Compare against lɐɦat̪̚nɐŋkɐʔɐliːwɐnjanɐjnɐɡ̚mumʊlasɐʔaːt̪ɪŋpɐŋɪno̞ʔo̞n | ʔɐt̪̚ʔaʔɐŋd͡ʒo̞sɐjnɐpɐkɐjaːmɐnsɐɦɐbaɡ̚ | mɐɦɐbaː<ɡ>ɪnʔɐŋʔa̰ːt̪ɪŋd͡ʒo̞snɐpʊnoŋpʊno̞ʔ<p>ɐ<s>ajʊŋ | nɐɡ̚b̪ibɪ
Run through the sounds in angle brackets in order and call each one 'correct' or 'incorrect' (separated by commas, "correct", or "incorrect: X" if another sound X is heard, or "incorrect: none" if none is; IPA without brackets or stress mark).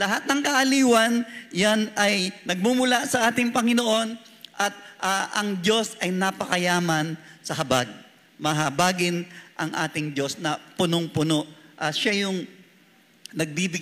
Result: correct, incorrect: ʔ, incorrect: ʃ